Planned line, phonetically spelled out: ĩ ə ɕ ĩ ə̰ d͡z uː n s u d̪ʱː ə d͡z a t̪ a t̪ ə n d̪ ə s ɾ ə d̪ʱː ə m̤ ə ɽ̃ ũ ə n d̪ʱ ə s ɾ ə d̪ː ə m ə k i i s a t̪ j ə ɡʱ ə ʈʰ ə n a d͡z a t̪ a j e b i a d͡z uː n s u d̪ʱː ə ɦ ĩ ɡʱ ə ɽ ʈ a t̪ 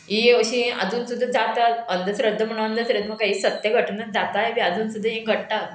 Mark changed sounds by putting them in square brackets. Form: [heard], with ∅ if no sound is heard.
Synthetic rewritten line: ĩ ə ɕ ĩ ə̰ d͡z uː n s u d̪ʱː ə d͡z a t̪ a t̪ ə n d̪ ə s ɾ ə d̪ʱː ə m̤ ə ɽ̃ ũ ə n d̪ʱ ə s ɾ ə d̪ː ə m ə k [a] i s [ə] t̪ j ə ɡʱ ə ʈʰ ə n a d͡z a t̪ a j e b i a d͡z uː n s u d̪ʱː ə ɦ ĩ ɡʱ ə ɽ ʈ a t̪